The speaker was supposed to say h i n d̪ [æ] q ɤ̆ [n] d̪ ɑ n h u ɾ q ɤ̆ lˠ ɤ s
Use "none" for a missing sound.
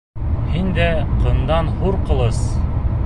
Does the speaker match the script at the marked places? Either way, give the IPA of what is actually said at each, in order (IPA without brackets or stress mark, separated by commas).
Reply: æ, n